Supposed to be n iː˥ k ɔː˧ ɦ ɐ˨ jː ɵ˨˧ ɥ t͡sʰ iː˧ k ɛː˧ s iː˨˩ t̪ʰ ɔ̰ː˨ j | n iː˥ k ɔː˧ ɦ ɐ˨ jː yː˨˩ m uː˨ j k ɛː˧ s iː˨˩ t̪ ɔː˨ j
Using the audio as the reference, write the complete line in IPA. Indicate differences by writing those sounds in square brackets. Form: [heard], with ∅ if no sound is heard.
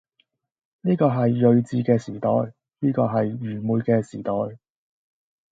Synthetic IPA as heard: n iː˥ k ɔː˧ ɦ ɐ˨ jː ɵ˨˧ ɥ [t͡s] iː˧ k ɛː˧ s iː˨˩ [t̪] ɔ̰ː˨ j | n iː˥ k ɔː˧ ɦ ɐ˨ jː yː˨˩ m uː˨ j k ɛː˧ s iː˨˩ t̪ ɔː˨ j